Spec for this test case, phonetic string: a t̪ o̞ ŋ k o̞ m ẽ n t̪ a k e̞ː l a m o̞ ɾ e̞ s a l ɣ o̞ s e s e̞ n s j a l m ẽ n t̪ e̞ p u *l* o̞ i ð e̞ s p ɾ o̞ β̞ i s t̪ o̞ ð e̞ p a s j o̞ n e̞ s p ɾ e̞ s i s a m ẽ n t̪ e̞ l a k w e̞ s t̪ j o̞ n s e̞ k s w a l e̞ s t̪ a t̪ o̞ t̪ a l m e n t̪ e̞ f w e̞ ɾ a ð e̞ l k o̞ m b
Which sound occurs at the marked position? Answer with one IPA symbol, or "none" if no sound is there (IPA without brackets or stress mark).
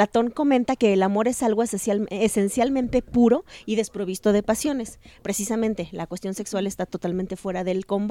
ɾ